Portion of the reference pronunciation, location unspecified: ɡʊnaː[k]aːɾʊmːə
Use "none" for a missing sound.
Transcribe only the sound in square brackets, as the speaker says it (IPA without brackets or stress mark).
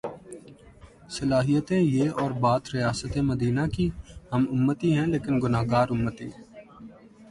ɡ